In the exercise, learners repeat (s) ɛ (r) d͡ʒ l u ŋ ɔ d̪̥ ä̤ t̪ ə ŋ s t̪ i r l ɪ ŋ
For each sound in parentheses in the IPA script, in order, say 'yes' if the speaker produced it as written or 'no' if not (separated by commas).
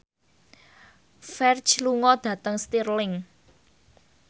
no, yes